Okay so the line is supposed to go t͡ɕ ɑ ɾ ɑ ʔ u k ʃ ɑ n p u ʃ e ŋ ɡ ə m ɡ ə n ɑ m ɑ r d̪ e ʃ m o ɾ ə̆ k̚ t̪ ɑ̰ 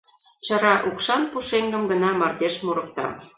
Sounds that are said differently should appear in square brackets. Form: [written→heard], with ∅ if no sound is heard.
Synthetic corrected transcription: t͡ɕ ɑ ɾ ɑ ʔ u k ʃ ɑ n p u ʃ e ŋ ɡ ə m ɡ ə n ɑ m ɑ r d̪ e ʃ m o ɾ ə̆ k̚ t̪ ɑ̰

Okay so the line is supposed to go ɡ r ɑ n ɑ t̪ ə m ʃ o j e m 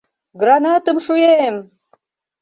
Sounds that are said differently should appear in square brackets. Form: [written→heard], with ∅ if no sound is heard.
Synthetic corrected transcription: ɡ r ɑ n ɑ t̪ ə m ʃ [o→u] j e m

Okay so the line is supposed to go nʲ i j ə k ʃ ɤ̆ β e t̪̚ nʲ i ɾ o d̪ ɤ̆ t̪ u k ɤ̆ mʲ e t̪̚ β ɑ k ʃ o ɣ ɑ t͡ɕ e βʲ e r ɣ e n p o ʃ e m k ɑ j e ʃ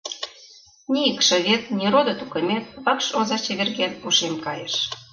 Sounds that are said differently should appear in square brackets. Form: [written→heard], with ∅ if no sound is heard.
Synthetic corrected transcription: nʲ i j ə k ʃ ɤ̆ β e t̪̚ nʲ i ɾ o d̪ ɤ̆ t̪ u k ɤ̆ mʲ e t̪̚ β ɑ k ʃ o [ɣ→z] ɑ t͡ɕ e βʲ e r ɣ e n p [o→u] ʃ e m k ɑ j e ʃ

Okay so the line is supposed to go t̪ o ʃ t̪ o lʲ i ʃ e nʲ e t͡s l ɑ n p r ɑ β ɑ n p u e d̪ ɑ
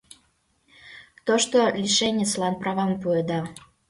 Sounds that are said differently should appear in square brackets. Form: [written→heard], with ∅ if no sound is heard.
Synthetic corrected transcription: t̪ o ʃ t̪ o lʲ i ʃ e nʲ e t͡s l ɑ n p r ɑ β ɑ [n→m] p u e d̪ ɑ

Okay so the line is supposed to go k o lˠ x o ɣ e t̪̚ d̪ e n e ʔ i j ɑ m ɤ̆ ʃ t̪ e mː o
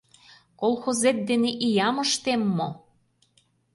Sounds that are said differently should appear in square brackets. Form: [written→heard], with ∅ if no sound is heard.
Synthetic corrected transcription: k o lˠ x o [ɣ→z] e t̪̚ d̪ e n e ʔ i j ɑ m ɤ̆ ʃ t̪ e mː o

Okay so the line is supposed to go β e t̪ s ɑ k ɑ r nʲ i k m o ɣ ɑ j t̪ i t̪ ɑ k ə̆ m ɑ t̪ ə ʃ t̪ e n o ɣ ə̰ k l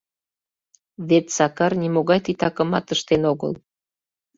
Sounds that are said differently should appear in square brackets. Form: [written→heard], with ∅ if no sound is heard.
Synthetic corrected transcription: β e t̪ s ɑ k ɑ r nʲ i [k→∅] m o ɣ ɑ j t̪ i t̪ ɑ k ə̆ m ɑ t̪ ə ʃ t̪ e n o ɣ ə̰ [k→∅] l

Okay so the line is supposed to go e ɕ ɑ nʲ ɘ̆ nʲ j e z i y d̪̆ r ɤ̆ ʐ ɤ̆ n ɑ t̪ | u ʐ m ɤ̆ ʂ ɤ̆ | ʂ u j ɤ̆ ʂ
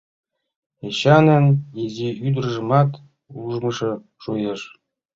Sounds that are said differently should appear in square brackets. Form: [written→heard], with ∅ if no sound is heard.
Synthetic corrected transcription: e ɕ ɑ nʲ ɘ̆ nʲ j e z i y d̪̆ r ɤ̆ ʐ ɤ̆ [n→m] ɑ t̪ | u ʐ m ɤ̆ ʂ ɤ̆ | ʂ u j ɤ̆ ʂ

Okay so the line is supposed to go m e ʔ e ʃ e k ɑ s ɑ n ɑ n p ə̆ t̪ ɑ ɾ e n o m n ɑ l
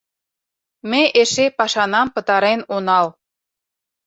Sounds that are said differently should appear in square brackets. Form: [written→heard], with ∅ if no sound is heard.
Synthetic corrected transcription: m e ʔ e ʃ e [k→p] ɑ [s→ʃ] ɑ n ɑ [n→m] p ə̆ t̪ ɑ ɾ e n o [m→∅] n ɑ l

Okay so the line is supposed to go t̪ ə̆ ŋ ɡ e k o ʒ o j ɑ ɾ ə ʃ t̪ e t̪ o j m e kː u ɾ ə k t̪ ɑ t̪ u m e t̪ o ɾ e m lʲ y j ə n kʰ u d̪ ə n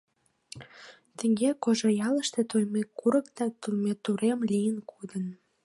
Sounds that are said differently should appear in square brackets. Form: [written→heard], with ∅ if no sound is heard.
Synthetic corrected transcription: t̪ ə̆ ŋ ɡ e k o ʒ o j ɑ [ɾ→l] ə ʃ t̪ e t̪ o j m e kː u ɾ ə k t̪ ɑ t̪ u m e t̪ [o→u] ɾ e m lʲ [y→i] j ə n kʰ u d̪ ə n

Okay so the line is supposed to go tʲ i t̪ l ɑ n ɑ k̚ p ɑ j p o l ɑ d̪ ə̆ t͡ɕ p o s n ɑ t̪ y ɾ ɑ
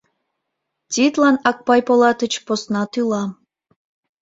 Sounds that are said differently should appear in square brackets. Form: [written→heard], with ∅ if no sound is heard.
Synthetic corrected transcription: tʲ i t̪ l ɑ n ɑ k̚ p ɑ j p o l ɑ [d̪→t̪] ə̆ t͡ɕ p o s n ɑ t̪ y [ɾ→l] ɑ

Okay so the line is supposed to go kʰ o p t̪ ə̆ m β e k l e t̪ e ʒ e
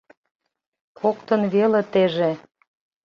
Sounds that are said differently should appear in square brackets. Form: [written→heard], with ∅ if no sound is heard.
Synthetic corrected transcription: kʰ o [p→k] t̪ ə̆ [m→n] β e [k→∅] l e t̪ e ʒ e

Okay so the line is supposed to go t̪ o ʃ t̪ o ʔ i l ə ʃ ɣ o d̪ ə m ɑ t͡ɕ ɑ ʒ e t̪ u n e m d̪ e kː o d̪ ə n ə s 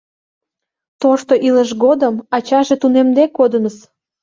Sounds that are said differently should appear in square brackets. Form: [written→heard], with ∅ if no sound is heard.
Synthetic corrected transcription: t̪ o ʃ t̪ o ʔ i l ə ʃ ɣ o d̪ ə m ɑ t͡ɕ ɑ ʒ e t̪ u n e m d̪ e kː o d̪ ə n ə s

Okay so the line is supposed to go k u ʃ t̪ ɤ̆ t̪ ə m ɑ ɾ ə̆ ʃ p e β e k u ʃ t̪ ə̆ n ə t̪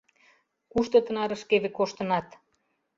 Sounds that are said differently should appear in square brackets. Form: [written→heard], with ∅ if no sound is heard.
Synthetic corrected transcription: k u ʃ t̪ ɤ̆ t̪ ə [m→n] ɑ ɾ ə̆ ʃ [p→k] e β e k [u→o] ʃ t̪ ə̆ n [ə→ɑ] t̪

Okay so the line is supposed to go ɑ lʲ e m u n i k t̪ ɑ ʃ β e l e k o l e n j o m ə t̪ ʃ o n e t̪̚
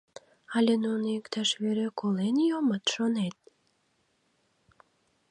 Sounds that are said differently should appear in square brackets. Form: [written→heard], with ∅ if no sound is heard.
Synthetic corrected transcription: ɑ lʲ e [m→n] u n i k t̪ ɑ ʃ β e [l→ɾ] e k o l e n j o m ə t̪ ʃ o n e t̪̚

